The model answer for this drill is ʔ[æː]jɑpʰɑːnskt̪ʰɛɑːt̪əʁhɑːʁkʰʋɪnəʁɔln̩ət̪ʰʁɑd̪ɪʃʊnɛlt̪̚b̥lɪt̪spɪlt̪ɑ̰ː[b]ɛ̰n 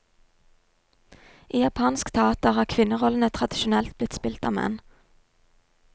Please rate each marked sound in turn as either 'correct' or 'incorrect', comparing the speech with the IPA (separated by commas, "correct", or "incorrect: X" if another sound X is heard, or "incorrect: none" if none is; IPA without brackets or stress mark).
incorrect: iː, incorrect: m